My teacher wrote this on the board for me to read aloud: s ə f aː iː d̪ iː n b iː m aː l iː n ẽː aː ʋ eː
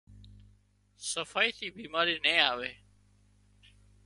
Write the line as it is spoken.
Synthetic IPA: s ə f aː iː t̪ iː b iː m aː ɾ iː n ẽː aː ʋ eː